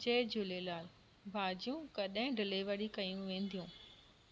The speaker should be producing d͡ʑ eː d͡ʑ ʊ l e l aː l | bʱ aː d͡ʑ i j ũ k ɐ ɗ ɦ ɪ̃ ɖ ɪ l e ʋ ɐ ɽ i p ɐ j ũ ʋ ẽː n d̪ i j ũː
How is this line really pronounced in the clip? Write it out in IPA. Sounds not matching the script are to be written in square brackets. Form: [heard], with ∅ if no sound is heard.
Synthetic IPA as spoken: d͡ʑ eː d͡ʑ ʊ l e l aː l | bʱ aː d͡ʑ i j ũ k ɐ ɗ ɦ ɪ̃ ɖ ɪ l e ʋ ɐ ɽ i [k] ɐ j ũ ʋ ẽː n d̪ i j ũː